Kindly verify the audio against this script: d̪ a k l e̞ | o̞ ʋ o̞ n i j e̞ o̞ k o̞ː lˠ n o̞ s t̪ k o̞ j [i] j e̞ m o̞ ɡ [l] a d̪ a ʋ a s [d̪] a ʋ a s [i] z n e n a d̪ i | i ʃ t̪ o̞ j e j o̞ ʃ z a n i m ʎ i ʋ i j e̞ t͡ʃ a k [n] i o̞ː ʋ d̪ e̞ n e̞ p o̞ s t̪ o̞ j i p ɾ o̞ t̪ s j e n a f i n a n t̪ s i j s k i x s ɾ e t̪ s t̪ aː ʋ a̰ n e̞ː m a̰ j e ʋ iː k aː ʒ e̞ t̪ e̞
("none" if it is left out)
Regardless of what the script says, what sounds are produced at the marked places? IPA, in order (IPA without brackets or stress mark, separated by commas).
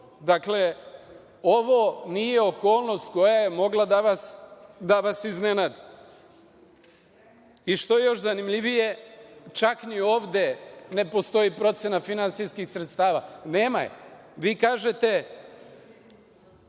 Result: a, l, d̪, i, n